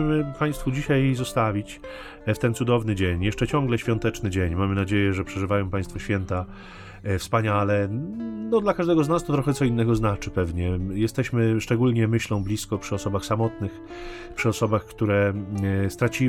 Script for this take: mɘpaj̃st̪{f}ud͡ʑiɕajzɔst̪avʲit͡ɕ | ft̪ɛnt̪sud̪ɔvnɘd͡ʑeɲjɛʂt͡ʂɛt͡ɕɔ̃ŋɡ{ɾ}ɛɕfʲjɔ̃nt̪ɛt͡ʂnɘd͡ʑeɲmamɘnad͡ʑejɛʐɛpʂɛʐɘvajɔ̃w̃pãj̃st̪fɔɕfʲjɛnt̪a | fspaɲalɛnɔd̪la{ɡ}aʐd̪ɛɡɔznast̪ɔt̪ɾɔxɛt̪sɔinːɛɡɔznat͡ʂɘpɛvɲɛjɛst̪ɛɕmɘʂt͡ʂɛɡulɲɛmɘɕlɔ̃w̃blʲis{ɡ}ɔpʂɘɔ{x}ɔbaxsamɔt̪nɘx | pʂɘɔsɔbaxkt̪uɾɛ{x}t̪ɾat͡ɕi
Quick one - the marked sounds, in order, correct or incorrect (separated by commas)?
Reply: correct, incorrect, incorrect, incorrect, incorrect, incorrect